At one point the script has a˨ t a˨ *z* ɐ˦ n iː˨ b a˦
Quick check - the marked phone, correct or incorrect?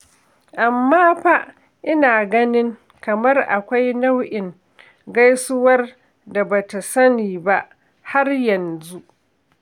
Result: incorrect